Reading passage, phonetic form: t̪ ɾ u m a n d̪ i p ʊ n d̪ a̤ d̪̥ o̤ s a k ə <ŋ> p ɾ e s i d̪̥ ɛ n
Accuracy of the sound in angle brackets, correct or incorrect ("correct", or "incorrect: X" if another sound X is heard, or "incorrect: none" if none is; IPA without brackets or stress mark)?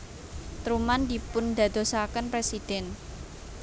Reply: incorrect: n